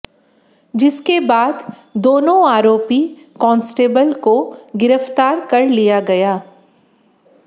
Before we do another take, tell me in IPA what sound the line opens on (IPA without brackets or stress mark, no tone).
d͡ʒ